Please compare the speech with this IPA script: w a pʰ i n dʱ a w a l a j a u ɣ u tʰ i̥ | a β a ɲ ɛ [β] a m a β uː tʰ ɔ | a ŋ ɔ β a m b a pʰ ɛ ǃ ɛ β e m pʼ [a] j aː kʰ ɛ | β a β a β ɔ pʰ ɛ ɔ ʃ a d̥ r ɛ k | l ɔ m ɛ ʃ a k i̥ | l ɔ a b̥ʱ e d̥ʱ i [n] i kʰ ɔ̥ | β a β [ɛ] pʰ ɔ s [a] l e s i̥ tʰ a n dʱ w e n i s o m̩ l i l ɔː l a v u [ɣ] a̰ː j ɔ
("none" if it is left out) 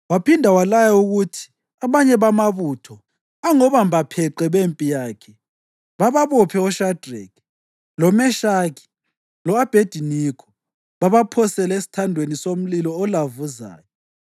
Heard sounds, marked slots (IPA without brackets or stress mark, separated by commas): β, i, n, a, ɛ, z